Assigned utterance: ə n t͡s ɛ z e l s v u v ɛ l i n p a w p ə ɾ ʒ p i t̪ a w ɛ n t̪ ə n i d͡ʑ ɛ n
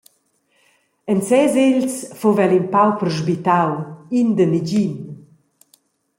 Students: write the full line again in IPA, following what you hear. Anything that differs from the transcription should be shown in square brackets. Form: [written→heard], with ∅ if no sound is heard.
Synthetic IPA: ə n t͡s ɛ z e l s [v→f] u v ɛ l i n p a w p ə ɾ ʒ [p→b] i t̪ a w [ɛ→i] n [t̪→d̪] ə n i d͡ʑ [ɛ→i] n